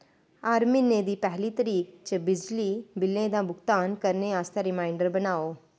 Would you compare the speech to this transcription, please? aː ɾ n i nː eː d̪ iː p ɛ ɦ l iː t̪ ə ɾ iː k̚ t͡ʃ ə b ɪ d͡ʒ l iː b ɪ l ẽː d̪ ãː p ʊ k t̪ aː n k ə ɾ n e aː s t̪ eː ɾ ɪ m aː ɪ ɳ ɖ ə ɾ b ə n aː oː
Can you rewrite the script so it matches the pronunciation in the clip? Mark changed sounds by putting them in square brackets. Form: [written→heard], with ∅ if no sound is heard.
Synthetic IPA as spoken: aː ɾ [n→m] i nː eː d̪ iː p ɛ ɦ l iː t̪ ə ɾ iː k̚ t͡ʃ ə b ɪ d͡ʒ l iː b ɪ l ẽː d̪ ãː [p→b] ʊ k t̪ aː n k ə ɾ n e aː s t̪ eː ɾ ɪ m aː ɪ ɳ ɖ ə ɾ b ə n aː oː